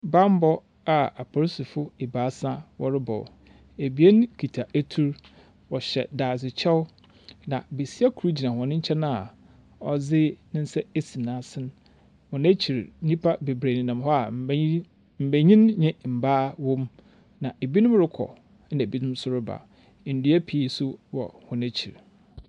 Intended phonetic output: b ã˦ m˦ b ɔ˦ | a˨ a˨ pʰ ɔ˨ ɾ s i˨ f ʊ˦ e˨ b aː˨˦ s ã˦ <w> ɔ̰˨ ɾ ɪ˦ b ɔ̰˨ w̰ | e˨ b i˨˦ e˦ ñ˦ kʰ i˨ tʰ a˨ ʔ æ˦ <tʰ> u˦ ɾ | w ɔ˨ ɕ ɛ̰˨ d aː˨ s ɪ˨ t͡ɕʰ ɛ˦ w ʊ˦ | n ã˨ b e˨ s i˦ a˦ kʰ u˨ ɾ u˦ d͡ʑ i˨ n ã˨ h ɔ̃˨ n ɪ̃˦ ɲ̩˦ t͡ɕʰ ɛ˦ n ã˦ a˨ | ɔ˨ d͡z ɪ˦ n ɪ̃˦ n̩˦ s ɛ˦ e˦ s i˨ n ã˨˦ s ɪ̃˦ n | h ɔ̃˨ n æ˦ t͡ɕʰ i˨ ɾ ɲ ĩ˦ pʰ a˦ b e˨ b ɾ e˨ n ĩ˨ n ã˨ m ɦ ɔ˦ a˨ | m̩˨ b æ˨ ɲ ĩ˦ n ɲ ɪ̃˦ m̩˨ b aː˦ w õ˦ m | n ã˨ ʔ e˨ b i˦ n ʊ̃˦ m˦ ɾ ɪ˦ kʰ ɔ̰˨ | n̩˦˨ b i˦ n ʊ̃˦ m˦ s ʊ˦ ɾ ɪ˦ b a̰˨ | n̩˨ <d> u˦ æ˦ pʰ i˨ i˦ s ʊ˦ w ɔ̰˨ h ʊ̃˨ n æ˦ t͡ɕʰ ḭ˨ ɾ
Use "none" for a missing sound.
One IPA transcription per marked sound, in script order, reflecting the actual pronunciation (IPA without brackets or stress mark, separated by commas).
w, tʰ, d